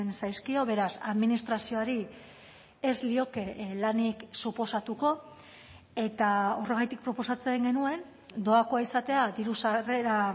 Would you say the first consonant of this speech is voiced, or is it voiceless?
voiced